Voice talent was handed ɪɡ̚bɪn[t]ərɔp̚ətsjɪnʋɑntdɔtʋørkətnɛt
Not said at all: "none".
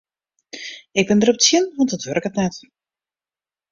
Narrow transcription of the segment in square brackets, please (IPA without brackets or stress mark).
d